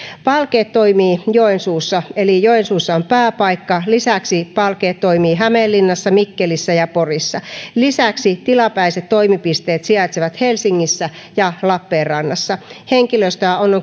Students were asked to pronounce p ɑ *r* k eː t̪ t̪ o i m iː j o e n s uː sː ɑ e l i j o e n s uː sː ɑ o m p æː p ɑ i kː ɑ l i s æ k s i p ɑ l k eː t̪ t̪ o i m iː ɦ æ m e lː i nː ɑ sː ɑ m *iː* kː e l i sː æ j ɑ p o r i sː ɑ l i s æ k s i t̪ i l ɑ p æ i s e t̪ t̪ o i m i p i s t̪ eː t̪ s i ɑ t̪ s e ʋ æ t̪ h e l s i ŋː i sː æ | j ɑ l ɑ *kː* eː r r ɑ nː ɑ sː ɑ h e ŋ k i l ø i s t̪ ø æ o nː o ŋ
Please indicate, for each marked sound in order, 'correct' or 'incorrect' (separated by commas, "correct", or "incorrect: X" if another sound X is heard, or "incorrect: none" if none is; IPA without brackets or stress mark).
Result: incorrect: l, incorrect: i, incorrect: pː